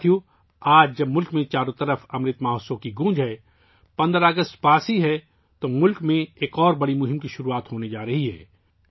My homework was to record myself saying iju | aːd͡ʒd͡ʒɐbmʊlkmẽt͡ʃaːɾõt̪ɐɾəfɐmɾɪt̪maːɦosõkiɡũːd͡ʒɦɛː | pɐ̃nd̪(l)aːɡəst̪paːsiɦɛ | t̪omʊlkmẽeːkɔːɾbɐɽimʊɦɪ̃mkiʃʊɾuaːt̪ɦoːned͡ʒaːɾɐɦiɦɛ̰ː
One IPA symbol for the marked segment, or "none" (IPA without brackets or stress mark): ɾ